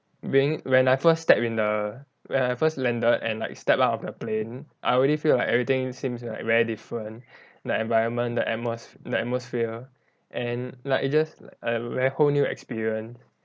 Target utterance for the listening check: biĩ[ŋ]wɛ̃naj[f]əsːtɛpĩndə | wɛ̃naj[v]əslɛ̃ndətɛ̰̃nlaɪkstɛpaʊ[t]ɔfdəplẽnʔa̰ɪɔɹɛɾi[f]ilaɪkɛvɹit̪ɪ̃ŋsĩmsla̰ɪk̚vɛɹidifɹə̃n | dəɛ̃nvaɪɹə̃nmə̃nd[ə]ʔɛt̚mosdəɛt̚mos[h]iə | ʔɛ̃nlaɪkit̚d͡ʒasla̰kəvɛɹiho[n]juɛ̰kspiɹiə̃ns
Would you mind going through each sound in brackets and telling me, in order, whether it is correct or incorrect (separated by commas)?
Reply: correct, correct, incorrect, correct, correct, correct, incorrect, correct